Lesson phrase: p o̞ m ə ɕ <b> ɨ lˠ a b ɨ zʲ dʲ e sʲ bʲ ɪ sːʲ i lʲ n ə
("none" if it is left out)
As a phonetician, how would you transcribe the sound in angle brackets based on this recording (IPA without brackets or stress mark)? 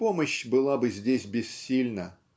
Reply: b